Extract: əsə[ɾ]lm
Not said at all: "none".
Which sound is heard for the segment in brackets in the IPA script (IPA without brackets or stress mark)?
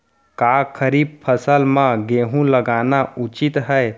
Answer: none